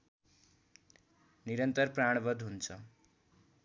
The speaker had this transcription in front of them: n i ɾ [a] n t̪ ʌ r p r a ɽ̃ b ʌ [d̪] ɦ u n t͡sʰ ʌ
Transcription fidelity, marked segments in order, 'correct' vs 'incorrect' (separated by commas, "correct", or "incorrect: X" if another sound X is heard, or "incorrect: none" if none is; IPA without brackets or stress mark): incorrect: ʌ, correct